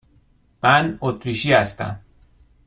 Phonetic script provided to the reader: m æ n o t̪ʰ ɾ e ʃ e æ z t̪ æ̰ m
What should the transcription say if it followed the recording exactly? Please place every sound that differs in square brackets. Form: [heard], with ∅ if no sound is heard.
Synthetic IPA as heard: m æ n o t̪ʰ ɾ [i] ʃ [i] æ [s] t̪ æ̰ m